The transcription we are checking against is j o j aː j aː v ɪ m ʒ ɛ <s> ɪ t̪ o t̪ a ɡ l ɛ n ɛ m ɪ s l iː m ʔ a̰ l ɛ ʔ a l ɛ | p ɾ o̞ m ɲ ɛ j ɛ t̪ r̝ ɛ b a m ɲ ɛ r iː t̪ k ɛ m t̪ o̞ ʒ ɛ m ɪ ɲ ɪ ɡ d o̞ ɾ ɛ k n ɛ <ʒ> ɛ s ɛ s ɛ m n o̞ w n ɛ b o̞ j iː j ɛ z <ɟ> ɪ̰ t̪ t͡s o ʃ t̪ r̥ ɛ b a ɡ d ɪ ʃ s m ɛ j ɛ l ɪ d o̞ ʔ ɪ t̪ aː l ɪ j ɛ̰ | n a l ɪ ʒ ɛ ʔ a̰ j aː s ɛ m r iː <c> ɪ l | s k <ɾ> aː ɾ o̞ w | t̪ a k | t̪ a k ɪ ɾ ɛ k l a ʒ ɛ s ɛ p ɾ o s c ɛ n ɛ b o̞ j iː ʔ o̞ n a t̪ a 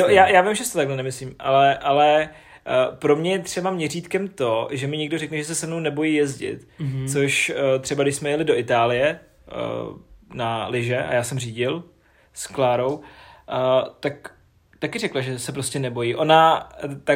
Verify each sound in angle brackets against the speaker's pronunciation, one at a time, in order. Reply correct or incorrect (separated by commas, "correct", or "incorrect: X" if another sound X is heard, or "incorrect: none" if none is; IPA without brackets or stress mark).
correct, correct, correct, incorrect: ɟ, incorrect: l